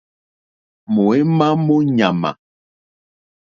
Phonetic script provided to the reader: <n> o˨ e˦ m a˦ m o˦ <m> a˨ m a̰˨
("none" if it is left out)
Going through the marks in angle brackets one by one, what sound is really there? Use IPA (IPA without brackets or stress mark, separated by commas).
m, ɲ